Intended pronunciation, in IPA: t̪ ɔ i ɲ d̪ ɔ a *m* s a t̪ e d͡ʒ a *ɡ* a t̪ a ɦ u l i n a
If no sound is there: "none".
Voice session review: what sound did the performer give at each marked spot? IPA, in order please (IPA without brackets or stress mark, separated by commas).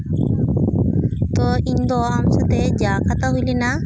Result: m, k